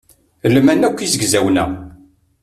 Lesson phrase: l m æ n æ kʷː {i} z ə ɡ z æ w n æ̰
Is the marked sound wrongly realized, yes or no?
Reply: no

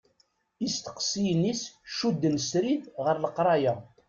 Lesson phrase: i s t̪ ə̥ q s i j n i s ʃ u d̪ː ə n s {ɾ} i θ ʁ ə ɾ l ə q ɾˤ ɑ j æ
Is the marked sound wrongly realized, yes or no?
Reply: no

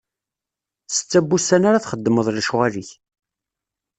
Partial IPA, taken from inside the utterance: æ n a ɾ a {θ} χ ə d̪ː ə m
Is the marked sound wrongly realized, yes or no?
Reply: no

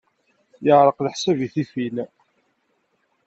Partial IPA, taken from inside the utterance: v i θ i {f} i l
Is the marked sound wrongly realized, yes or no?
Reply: no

